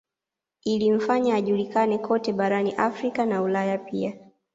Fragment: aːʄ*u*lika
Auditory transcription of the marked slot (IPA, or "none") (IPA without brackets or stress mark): u